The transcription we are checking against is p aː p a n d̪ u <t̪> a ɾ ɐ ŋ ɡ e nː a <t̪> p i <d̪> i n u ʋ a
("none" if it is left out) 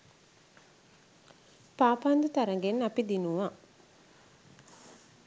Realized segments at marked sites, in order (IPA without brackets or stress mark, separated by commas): t̪, none, d̪